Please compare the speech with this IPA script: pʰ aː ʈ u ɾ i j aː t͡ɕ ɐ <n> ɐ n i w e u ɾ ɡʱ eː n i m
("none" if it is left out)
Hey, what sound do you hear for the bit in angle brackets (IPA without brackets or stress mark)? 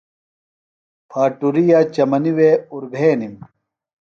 m